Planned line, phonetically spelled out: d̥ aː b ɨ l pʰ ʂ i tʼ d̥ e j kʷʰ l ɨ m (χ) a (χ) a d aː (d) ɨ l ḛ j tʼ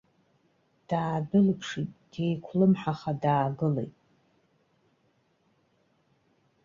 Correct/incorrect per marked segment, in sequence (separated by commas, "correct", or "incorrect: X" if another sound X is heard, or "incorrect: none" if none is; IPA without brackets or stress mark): incorrect: ħ, correct, incorrect: ɡ